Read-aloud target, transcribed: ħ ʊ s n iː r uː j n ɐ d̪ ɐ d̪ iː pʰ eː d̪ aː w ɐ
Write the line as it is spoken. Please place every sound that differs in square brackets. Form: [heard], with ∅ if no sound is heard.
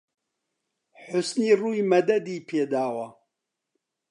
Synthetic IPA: ħ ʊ s n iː r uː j [m] ɐ d̪ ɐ d̪ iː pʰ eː d̪ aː w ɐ